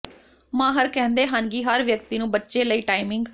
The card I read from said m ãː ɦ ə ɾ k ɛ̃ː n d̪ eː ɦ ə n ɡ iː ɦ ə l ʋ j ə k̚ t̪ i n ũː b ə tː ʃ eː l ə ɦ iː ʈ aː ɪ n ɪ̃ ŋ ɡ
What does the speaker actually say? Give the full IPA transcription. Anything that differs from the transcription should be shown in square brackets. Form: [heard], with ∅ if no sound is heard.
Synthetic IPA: m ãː ɦ ə ɾ k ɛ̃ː n d̪ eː ɦ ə n ɡ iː ɦ ə [ɾ] ʋ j ə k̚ t̪ [iː] n ũː b ə tː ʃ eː l ə [∅] iː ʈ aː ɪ [m] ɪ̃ ŋ ɡ

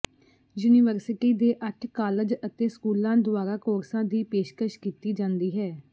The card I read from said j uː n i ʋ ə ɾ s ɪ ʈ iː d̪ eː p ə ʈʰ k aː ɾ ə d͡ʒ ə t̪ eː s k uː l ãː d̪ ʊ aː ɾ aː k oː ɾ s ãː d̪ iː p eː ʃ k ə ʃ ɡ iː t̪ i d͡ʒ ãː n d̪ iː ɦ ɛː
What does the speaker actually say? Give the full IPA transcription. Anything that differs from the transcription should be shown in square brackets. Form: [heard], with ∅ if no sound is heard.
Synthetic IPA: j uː n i ʋ ə ɾ s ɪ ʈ iː d̪ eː [ʔ] ə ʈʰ k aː [l] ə d͡ʒ ə t̪ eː s k uː l ãː d̪ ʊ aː ɾ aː k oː ɾ s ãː d̪ iː p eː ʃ k ə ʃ [k] iː t̪ [iː] d͡ʒ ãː n d̪ iː ɦ ɛː

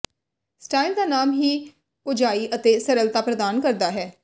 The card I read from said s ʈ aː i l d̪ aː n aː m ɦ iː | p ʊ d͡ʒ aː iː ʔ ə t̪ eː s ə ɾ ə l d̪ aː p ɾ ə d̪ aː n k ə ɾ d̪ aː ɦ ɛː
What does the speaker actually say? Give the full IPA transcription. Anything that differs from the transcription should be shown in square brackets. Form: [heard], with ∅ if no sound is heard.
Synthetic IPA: s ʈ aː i l d̪ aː n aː m ɦ iː | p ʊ d͡ʒ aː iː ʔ ə t̪ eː s ə ɾ ə l [t̪] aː p ɾ ə d̪ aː n k ə ɾ d̪ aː ɦ ɛː

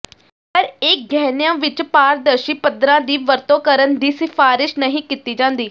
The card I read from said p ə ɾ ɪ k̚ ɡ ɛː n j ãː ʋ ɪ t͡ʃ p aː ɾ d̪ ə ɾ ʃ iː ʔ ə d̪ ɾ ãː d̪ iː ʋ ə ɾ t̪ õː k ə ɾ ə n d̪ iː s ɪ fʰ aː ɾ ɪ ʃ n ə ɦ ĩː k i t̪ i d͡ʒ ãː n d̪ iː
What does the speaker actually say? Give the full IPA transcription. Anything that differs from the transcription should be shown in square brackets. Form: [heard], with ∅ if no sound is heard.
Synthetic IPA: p ə ɾ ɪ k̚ ɡ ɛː n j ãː ʋ ɪ t͡ʃ p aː ɾ d̪ ə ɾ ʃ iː [p] ə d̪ ɾ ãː d̪ iː ʋ ə ɾ t̪ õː k ə ɾ ə n d̪ iː s ɪ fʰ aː ɾ ɪ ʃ n ə ɦ ĩː k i t̪ [iː] d͡ʒ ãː n d̪ iː

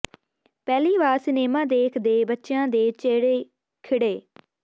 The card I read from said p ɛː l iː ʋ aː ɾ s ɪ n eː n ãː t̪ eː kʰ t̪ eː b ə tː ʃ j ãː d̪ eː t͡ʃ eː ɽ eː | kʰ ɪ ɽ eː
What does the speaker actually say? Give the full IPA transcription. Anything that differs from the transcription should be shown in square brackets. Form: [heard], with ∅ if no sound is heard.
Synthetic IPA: p ɛː l iː ʋ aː ɾ s ɪ n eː [m] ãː [d̪] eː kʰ [d̪] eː b ə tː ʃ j ãː d̪ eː t͡ʃ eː ɽ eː | kʰ ɪ ɽ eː

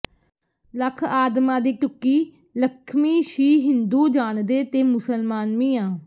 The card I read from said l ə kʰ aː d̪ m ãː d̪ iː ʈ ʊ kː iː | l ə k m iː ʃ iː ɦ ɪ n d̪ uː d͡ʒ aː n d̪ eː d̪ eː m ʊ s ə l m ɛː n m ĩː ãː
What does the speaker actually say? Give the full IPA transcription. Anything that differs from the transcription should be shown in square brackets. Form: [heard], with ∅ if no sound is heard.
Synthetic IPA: l ə kʰ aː d̪ m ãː d̪ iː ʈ ʊ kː iː | l ə [kʰ] m iː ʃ iː ɦ ɪ n d̪ uː d͡ʒ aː n d̪ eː [t̪] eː m ʊ s ə l m [aː] n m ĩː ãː

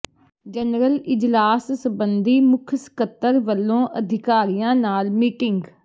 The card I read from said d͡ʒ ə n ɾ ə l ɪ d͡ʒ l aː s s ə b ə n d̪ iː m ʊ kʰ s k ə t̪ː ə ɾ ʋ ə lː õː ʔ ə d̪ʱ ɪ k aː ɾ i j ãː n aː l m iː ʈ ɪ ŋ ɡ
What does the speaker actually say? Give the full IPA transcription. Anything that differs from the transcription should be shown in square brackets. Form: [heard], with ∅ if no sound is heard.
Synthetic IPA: d͡ʒ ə n ɾ ə l ɪ d͡ʒ l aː s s ə b ə n d̪ iː m ʊ kʰ s k ə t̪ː ə ɾ ʋ ə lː õː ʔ ə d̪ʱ ɪ k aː ɾ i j ãː n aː l m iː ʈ ɪ ŋ ɡ

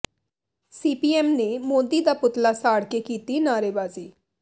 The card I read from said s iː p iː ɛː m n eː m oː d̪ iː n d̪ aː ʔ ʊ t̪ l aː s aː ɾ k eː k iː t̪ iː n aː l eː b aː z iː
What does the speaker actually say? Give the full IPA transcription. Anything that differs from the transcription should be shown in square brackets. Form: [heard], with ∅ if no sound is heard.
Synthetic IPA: s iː p iː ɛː m n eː m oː d̪ iː [∅] d̪ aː [p] ʊ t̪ l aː s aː [ɽ] k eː k iː t̪ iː n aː [ɾ] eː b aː z iː

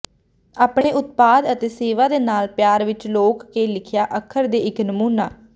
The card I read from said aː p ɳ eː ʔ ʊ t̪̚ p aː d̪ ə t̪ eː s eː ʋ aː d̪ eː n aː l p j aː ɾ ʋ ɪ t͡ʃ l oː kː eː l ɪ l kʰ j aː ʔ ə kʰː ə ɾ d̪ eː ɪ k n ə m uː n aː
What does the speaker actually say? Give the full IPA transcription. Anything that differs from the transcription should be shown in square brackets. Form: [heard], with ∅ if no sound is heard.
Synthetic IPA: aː p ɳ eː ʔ ʊ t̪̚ p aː d̪ ə t̪ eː s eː ʋ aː d̪ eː n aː l p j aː ɾ ʋ ɪ t͡ʃ l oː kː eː l ɪ [∅] kʰ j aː ʔ ə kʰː ə ɾ d̪ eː ɪ k n ə m uː n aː

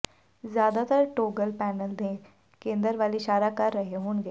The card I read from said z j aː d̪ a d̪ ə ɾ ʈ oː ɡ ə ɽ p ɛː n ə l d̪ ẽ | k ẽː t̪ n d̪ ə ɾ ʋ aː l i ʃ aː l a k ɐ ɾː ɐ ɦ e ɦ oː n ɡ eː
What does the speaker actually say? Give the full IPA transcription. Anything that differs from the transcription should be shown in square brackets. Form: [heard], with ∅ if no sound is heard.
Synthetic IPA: z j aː d̪ a [t̪] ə ɾ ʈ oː ɡ ə [l] p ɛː n ə l d̪ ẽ | k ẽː [∅] n d̪ ə ɾ ʋ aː l i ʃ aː [ɾ] a k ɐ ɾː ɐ ɦ e ɦ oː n ɡ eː

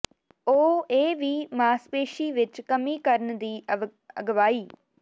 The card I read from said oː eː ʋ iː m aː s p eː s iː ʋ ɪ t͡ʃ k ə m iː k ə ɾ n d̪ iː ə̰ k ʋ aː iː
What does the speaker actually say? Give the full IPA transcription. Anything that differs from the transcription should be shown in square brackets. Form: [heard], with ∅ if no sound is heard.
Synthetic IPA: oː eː ʋ iː m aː s p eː [ʃ] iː ʋ ɪ t͡ʃ k ə m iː k ə ɾ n d̪ iː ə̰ [ɡ] ʋ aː iː

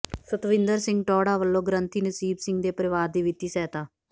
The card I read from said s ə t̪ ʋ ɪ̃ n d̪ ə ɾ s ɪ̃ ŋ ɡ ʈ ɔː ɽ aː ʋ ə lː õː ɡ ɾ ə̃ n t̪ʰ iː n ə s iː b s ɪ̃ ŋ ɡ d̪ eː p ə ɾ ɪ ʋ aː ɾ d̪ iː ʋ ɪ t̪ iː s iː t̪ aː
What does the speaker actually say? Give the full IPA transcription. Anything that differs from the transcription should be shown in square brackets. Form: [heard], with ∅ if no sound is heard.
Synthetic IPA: s ə t̪ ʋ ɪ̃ n d̪ ə ɾ s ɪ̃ ŋ ɡ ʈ ɔː ɽ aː ʋ ə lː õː ɡ ɾ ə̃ n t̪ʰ iː n ə s iː b s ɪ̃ ŋ ɡ d̪ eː p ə ɾ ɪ ʋ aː ɾ d̪ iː ʋ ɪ t̪ iː s [ɛː] t̪ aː

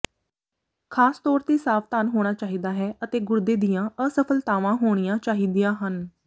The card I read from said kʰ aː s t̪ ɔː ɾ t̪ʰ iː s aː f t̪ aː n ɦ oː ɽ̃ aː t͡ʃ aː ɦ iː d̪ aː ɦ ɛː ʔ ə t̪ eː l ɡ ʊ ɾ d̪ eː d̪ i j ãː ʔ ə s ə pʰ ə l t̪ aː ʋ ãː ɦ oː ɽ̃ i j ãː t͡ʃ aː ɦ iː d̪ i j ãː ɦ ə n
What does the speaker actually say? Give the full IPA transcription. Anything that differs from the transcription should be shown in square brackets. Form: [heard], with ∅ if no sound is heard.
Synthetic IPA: kʰ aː s t̪ ɔː ɾ [t̪] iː s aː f t̪ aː n ɦ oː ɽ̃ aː t͡ʃ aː ɦ iː d̪ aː ɦ ɛː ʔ ə t̪ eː [∅] ɡ ʊ ɾ d̪ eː d̪ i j ãː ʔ ə s ə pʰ ə l t̪ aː ʋ ãː ɦ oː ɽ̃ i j ãː t͡ʃ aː ɦ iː d̪ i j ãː ɦ ə n

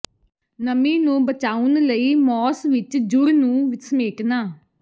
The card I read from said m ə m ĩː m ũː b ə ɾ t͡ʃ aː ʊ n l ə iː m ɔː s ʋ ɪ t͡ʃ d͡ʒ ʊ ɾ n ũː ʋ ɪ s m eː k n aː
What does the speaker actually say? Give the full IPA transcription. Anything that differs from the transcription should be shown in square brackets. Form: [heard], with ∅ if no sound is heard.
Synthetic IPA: [n] ə m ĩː [n] ũː b ə [∅] t͡ʃ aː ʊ n l ə iː m ɔː s ʋ ɪ t͡ʃ d͡ʒ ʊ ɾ n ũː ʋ ɪ s m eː k n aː

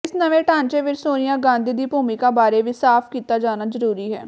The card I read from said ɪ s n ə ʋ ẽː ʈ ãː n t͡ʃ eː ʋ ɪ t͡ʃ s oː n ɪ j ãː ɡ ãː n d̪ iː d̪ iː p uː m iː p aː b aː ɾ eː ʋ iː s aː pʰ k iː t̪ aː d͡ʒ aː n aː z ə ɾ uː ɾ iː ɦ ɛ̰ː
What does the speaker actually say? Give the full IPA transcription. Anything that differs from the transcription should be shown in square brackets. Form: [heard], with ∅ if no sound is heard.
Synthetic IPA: ɪ s n ə ʋ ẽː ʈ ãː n t͡ʃ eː ʋ ɪ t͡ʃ s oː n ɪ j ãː ɡ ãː n d̪ iː d̪ iː p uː m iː [k] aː b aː ɾ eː ʋ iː s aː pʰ k iː t̪ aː d͡ʒ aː n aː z ə ɾ uː ɾ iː ɦ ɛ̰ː

